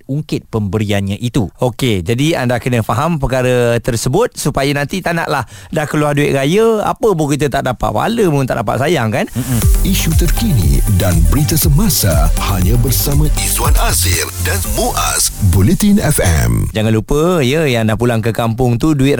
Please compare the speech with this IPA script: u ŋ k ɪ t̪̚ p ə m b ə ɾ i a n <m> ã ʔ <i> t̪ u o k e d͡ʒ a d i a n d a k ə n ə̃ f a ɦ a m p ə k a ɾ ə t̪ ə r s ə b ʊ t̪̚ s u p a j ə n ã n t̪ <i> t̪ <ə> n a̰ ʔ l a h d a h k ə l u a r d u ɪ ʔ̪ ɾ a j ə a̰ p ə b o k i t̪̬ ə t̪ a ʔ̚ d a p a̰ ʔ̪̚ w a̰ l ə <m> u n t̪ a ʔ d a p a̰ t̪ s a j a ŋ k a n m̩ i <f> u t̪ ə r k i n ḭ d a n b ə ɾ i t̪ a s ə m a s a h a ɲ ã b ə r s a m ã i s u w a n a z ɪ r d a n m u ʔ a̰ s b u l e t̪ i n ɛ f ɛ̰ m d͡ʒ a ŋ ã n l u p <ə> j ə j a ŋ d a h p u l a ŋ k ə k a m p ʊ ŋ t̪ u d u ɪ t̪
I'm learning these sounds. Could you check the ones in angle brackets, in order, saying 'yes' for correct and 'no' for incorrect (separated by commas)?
no, yes, yes, no, yes, no, yes